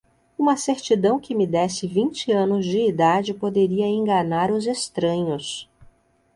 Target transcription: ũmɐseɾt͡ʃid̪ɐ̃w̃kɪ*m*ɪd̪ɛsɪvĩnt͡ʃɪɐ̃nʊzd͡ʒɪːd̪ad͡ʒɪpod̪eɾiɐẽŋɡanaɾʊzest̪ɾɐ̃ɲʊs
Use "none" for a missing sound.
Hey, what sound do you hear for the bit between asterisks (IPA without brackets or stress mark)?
m